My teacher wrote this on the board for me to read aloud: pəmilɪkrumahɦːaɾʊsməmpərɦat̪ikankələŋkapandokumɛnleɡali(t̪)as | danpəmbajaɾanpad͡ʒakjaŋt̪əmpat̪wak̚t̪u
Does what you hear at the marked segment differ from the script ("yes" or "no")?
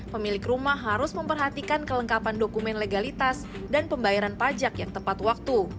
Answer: no